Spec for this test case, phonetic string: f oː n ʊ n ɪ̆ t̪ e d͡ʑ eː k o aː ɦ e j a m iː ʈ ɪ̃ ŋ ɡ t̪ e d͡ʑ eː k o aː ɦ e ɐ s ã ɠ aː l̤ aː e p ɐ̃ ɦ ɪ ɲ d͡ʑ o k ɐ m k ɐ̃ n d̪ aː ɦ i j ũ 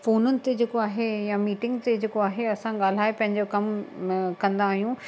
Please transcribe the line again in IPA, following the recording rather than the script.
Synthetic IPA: f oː n ʊ n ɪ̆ t̪ e d͡ʑ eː k o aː ɦ e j a m iː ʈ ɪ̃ ŋ ɡ t̪ e d͡ʑ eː k o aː ɦ e ɐ s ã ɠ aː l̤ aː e p ɐ̃ ɦ ɪ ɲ d͡ʑ o k ɐ m k ɐ̃ n d̪ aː ɦ i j ũ